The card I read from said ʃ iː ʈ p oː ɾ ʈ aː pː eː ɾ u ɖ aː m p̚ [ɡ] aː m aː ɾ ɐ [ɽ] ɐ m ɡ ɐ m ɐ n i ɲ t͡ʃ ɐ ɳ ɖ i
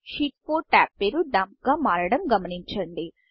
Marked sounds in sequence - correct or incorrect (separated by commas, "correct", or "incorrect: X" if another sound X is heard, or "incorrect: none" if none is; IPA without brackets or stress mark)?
correct, correct